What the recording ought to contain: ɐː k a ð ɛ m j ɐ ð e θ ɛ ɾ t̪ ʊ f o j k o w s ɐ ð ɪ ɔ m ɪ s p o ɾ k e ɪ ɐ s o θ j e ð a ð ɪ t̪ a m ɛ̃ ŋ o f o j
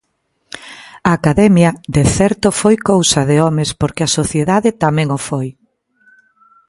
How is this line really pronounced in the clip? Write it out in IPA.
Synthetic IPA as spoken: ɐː k a ð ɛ m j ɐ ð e θ ɛ ɾ t̪ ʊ f o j k o w s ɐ ð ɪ ɔ m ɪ s p o ɾ k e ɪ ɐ s o θ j e ð a ð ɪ t̪ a m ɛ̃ ŋ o f o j